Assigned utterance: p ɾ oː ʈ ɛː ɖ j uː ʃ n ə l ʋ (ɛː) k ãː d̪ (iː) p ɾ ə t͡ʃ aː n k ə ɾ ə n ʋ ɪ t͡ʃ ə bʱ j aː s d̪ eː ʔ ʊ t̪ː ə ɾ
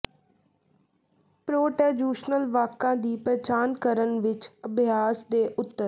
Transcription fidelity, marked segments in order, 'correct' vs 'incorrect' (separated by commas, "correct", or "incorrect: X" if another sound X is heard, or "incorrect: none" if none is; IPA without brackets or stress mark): incorrect: aː, correct